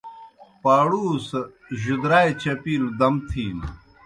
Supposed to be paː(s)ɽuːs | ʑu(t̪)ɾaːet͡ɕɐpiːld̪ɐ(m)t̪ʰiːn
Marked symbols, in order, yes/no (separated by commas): no, no, yes